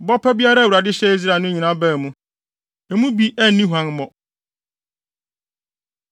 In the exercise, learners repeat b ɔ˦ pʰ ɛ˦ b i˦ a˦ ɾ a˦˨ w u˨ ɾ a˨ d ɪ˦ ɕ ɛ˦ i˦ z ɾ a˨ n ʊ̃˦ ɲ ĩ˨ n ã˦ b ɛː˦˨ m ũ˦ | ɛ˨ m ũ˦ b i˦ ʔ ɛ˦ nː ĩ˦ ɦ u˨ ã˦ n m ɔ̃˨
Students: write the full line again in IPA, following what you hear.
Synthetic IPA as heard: b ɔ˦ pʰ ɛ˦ b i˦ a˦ ɾ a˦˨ w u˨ ɾ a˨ d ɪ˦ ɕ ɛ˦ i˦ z ɾ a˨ n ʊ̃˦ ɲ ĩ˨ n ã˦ b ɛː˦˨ m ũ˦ | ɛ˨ m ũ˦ b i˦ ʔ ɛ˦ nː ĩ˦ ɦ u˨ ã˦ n m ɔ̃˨